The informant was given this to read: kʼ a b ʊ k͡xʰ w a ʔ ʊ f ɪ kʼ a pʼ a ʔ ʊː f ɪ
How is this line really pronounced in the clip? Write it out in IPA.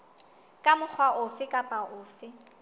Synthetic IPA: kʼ a m ʊ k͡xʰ w a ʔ ʊ f ɪ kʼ a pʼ a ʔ ʊː f ɪ